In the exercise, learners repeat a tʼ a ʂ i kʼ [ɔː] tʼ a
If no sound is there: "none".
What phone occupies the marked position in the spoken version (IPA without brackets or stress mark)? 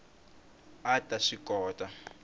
ɔː